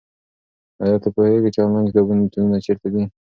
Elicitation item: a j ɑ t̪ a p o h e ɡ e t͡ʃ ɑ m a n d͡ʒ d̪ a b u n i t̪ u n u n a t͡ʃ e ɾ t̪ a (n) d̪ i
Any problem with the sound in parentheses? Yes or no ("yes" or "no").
yes